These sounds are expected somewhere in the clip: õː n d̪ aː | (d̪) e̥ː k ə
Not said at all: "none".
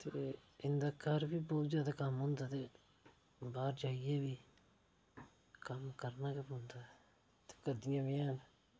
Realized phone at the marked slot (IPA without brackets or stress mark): t̪